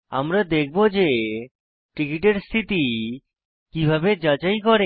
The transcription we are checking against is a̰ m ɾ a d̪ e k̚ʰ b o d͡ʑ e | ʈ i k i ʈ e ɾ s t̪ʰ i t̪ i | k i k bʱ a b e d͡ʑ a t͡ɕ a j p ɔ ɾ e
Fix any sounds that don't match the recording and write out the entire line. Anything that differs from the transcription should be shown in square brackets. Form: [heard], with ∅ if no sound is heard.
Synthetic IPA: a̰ m ɾ a d̪ e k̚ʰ b o d͡ʑ e | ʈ i k i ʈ e ɾ s t̪ʰ i t̪ i | k i [∅] bʱ a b e d͡ʑ a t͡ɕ a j [k] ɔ ɾ e